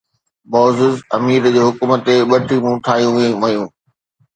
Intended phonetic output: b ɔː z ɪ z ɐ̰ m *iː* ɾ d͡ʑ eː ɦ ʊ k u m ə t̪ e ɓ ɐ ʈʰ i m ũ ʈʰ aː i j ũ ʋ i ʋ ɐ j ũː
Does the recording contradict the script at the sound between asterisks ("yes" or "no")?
no